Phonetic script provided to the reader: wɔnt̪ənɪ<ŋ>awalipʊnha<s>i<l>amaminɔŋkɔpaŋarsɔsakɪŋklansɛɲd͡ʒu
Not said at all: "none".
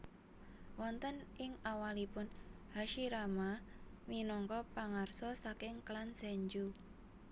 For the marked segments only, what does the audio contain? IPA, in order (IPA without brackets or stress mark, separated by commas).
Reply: ŋ, ʃ, ɾ